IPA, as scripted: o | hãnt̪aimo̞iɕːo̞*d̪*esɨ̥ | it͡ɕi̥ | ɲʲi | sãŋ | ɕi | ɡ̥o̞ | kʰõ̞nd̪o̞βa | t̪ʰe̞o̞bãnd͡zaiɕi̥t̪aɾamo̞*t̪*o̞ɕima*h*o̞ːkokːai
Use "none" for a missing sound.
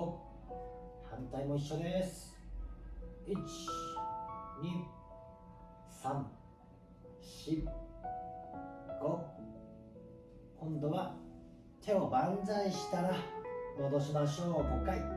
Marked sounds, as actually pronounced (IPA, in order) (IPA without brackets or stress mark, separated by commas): d̪, d̪, ɕ